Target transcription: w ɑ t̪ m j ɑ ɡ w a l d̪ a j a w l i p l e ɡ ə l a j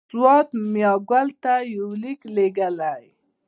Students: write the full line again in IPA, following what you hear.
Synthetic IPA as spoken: w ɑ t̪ m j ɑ ɡ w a l t̪ a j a w l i k l e ɡ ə l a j